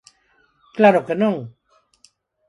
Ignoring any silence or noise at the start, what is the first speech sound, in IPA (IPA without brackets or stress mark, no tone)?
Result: k